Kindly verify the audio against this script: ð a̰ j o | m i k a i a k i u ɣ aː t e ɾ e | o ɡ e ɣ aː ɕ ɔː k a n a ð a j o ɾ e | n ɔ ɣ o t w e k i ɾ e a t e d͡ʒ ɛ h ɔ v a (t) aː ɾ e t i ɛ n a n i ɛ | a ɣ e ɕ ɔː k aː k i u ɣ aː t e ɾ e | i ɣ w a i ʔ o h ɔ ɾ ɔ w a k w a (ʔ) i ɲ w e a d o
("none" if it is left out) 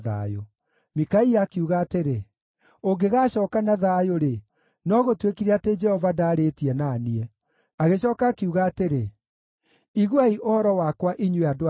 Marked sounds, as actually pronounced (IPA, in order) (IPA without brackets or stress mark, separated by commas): d, ʔ